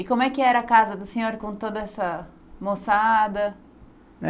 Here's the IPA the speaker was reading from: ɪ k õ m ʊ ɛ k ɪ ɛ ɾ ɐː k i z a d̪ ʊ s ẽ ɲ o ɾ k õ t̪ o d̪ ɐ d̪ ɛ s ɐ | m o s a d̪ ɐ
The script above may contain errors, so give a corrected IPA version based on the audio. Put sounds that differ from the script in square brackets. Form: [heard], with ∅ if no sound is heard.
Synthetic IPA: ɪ k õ m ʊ ɛ k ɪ ɛ ɾ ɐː k [a] z [ɐ] d̪ ʊ s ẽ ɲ o ɾ k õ t̪ o d̪ ɐ [∅] ɛ s ɐ | m o s a d̪ ɐ